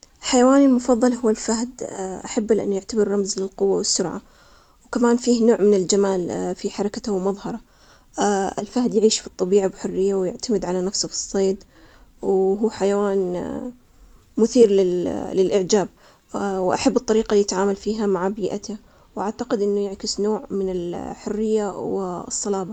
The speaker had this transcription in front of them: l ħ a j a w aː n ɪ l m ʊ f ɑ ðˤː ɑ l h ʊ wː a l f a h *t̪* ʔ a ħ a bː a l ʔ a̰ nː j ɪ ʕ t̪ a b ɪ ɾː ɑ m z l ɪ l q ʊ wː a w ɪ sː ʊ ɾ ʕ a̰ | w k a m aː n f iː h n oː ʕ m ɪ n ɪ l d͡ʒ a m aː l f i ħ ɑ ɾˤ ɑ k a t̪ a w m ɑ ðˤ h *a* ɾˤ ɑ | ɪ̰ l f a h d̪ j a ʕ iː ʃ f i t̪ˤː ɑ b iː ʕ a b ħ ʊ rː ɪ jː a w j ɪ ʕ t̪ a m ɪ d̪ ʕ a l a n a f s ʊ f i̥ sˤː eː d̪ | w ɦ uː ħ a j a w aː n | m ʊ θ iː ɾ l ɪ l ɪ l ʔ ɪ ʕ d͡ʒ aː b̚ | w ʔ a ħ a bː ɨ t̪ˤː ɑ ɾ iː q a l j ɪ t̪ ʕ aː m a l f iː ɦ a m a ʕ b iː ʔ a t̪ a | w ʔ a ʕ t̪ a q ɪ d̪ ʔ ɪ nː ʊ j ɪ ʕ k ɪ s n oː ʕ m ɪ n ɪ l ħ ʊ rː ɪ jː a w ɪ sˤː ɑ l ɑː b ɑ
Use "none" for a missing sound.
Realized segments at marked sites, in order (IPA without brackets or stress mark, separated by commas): d̪, ɑ